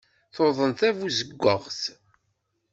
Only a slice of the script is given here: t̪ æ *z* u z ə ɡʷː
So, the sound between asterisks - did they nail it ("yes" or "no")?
no